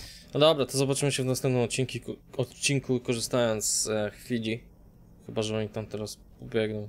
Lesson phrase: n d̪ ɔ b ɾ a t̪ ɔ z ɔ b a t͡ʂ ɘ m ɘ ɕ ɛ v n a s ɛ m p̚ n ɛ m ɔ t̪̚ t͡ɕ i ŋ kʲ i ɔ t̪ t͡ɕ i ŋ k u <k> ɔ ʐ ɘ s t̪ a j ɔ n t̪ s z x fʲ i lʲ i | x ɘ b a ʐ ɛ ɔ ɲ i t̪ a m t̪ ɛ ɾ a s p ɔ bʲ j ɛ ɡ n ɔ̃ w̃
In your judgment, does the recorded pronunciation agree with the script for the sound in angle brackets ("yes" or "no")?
yes